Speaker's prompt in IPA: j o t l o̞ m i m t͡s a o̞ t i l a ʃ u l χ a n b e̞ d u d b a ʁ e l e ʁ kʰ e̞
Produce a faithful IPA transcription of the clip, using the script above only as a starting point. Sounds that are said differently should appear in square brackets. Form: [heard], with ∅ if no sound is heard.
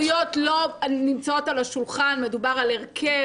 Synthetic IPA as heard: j o t l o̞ [n] i m t͡s a o̞ t [a] l a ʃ u l χ a n [m] e̞ d u [∅] b a ʁ [a] l e ʁ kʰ e̞